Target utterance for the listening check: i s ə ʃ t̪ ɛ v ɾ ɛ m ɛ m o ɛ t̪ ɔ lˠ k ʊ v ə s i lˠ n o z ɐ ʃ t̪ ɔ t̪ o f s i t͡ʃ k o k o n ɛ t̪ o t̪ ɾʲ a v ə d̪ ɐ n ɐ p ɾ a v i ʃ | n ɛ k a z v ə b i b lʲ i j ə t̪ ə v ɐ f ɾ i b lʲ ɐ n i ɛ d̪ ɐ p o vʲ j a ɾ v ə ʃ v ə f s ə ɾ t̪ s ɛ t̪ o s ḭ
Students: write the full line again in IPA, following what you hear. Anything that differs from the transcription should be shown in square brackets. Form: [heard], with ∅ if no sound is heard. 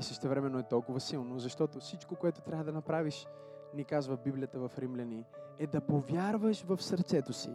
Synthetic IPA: i s ə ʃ t̪ ɛ v ɾ ɛ m ɛ [n] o ɛ t̪ ɔ lˠ k ʊ v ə s i lˠ n o z ɐ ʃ t̪ ɔ t̪ o f s i t͡ʃ k o k o [∅] ɛ t̪ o t̪ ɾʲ a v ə d̪ ɐ n ɐ p ɾ a v i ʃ | n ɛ k a z v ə b i b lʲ i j ə t̪ ə v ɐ f ɾ i [m] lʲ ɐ n i ɛ d̪ ɐ p o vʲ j a ɾ v ə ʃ v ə f s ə ɾ t̪ s ɛ t̪ o s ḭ